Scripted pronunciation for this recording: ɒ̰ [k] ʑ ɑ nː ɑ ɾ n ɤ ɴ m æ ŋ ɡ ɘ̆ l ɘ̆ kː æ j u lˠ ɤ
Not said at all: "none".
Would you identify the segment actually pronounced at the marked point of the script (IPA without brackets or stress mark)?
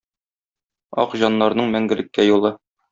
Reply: q